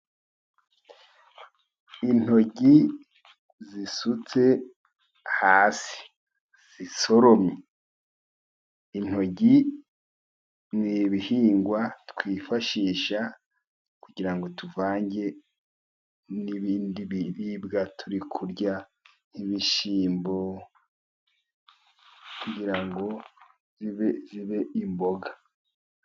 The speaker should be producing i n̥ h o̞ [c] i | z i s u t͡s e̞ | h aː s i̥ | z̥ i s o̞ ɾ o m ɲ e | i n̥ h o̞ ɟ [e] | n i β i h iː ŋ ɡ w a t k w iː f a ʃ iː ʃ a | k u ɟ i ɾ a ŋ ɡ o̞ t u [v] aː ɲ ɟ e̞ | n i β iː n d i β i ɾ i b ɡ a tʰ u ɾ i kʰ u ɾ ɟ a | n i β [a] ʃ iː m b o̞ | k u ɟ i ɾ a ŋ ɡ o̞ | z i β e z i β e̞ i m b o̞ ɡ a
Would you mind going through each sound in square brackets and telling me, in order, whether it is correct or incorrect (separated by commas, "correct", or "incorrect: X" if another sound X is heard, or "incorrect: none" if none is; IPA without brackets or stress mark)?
incorrect: ɟ, incorrect: i, correct, incorrect: i